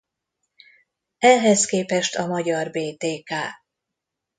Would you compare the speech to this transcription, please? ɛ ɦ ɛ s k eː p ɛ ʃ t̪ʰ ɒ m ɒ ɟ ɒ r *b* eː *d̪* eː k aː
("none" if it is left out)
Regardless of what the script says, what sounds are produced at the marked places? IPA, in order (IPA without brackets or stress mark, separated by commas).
b, t̪